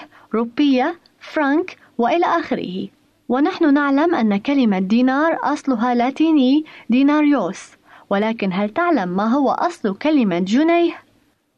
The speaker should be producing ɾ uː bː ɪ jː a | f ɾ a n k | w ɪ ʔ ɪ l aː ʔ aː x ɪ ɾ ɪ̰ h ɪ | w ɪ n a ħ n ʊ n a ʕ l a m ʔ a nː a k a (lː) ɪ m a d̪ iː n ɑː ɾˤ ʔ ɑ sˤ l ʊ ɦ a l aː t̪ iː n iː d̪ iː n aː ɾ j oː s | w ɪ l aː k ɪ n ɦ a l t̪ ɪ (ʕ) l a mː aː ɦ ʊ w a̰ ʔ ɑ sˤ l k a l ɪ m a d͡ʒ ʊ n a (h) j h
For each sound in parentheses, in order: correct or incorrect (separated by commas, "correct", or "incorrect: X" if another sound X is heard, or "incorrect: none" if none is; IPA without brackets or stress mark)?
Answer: incorrect: l, correct, incorrect: none